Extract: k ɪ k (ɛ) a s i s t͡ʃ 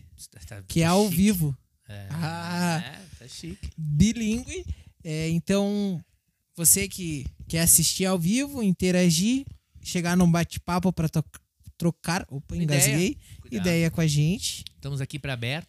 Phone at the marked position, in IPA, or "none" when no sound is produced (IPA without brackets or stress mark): ɛ